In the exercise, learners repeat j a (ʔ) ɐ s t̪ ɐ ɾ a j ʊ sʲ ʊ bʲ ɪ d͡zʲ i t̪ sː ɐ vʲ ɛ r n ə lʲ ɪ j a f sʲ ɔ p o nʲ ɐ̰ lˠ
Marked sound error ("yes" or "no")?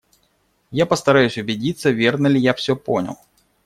yes